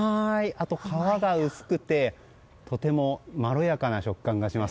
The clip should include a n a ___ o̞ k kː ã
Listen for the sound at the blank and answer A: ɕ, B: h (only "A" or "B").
A